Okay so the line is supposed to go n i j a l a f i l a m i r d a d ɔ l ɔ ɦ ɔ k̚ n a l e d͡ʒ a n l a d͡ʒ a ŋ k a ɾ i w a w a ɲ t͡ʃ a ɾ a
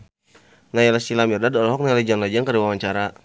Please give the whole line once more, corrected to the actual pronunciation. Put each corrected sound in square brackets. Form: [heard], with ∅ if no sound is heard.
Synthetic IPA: n [a] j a l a [s] i l a m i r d a d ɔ l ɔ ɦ ɔ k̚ n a l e d͡ʒ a n l a d͡ʒ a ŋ k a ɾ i w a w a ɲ t͡ʃ a ɾ a